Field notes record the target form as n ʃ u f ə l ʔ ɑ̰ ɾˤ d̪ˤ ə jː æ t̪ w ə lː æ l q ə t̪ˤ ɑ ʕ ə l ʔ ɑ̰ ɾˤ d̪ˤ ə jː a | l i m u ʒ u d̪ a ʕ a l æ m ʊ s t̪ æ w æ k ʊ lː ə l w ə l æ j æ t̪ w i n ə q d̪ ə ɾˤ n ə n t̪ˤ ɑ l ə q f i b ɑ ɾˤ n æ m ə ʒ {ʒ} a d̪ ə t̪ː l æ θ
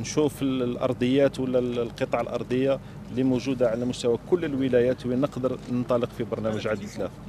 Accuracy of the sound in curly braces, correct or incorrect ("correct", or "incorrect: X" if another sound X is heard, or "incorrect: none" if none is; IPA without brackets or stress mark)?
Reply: incorrect: ʕ